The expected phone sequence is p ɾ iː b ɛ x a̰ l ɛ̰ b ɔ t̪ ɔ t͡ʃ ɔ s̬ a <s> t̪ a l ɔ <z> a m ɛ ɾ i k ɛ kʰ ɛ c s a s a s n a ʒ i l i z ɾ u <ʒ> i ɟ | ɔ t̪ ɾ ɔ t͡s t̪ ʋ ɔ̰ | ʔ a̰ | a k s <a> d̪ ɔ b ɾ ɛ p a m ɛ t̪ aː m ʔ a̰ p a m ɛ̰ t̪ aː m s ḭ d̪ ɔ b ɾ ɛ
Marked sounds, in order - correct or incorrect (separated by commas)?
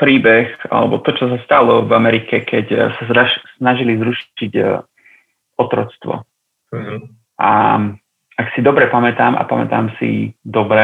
correct, incorrect, incorrect, incorrect